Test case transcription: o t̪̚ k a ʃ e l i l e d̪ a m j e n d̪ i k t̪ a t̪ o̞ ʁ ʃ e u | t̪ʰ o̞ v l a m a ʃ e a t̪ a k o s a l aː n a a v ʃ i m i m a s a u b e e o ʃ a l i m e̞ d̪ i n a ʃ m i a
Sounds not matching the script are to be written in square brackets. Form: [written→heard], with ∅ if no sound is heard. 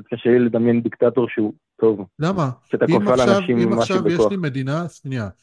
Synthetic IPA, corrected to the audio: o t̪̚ k a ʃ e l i l e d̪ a m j e n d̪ i k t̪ a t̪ o̞ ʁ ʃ e u | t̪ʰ o̞ v l a m a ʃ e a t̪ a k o [s→f] a l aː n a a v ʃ i m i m a [s→ʃ] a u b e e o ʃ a l i m e̞ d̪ i n a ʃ [m→n] i a